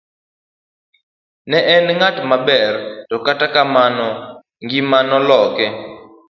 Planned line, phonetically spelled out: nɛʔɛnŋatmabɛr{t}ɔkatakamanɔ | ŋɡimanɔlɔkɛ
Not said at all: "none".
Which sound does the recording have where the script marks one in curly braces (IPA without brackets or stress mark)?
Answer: t